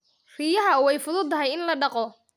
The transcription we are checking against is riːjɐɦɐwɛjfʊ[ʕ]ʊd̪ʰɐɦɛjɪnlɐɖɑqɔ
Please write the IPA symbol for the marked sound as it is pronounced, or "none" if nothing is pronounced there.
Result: ð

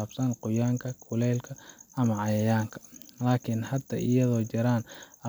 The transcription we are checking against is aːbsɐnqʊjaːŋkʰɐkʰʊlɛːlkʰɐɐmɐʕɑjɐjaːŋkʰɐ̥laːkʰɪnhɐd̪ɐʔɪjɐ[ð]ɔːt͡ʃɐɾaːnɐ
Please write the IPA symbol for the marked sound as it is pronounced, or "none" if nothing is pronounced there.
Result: ð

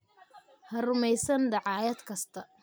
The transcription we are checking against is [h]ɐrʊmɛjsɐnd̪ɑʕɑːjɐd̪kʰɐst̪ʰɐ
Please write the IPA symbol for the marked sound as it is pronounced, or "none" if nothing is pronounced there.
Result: h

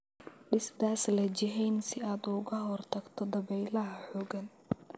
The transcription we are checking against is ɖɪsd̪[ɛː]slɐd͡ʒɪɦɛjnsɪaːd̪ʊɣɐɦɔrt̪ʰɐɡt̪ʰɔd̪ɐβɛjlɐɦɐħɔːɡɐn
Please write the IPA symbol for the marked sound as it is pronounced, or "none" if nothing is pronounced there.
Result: aː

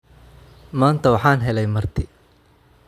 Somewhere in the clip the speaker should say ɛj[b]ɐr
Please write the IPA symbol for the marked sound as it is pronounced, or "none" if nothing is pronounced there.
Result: m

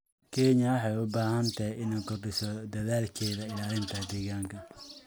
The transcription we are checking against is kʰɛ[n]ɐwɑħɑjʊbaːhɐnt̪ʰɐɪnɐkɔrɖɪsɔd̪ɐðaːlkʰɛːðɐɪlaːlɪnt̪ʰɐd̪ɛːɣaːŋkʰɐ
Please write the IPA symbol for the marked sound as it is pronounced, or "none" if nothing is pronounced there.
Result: ɲ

